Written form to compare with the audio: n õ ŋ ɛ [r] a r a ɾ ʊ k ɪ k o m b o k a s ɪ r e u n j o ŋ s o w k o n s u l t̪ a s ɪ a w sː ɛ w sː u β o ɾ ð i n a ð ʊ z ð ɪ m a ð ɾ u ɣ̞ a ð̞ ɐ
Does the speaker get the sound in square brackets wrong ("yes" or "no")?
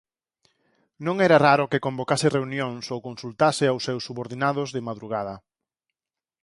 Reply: yes